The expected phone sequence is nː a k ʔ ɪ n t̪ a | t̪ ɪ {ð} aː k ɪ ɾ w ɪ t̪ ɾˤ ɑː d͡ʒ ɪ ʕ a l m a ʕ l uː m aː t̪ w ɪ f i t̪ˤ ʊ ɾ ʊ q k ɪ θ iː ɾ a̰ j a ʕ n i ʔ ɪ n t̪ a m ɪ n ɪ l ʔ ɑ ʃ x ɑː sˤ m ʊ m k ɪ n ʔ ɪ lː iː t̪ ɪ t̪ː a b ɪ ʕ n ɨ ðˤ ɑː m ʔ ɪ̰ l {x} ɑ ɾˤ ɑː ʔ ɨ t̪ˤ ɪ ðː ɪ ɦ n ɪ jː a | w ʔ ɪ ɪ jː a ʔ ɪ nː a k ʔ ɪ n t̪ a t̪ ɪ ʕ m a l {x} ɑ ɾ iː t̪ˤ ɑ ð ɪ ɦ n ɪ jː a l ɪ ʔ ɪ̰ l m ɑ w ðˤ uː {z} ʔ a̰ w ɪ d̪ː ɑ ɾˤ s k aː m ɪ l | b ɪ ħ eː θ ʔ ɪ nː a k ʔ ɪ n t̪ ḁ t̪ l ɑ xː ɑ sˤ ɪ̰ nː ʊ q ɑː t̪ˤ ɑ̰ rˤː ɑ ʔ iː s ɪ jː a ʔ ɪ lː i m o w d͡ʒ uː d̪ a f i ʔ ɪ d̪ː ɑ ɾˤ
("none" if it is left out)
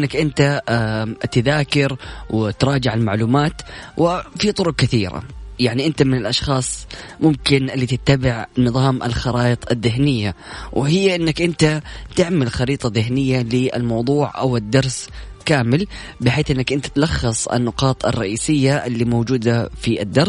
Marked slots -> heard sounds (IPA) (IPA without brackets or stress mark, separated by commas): ð, x, x, ʕ